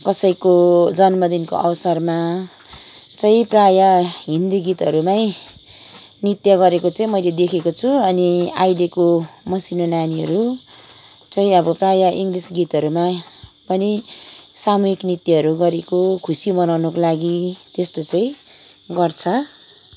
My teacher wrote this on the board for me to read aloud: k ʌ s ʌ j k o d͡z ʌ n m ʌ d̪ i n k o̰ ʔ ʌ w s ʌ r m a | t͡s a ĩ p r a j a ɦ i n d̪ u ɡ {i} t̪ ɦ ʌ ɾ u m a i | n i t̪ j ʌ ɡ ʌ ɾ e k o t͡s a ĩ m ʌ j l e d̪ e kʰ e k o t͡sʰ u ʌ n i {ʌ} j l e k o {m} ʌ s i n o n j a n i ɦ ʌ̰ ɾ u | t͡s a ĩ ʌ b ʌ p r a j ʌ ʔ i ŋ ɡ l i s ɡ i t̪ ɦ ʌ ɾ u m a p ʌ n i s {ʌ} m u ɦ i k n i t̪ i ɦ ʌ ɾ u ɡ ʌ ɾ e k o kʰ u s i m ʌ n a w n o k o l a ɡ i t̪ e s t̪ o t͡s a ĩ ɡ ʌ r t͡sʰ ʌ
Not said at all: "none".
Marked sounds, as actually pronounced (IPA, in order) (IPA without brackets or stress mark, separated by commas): i, a, m, a